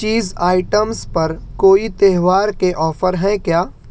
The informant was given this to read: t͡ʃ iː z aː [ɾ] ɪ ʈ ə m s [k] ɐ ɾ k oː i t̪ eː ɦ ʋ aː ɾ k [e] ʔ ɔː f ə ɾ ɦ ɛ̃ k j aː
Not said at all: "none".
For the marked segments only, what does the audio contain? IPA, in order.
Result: none, p, e

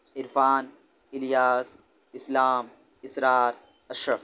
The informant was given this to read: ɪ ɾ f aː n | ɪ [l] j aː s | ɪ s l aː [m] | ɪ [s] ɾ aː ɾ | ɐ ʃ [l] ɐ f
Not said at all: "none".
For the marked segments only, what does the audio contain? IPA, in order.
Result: l, m, s, ɾ

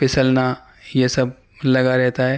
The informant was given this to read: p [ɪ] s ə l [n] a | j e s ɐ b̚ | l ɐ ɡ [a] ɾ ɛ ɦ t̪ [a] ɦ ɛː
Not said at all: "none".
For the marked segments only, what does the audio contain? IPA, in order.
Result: ɪ, n, a, a

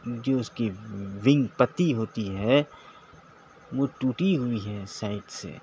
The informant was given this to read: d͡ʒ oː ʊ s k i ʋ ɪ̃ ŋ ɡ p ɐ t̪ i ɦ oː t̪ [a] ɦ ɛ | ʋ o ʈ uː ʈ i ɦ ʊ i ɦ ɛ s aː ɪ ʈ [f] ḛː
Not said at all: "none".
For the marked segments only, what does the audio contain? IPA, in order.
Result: i, s

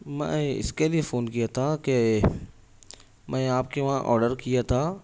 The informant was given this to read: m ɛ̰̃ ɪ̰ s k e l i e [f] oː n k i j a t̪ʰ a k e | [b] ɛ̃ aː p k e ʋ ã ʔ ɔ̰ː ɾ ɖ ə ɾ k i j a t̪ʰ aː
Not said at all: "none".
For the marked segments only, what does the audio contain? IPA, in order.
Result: f, m

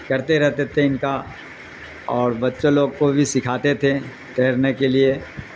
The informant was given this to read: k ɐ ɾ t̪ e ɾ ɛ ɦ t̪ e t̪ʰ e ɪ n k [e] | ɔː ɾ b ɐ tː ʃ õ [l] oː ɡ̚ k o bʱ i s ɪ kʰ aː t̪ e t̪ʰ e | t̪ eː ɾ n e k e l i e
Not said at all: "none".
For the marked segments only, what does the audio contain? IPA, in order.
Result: a, l

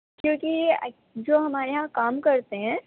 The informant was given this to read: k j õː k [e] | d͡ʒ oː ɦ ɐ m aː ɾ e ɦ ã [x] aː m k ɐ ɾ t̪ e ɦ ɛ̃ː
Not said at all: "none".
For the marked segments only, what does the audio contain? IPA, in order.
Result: i, k

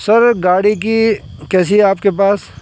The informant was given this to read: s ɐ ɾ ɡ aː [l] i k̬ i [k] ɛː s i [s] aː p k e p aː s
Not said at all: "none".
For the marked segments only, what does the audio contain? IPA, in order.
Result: ɽ, k, none

